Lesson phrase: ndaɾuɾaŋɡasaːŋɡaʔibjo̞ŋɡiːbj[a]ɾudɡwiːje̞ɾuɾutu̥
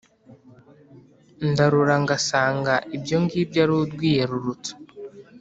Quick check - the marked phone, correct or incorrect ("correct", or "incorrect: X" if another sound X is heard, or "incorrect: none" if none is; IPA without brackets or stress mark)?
correct